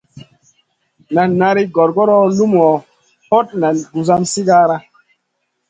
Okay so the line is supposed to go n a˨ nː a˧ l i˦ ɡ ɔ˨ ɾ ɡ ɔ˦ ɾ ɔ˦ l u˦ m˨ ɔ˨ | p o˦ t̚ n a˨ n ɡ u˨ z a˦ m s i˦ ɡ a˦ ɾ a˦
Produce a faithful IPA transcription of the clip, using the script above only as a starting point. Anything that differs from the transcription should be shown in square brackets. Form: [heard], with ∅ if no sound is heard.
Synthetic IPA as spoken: n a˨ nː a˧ [ɾ] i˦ ɡ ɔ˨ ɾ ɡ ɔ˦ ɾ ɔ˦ l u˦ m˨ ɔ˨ | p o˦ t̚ n a˨ n ɡ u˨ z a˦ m s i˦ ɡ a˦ ɾ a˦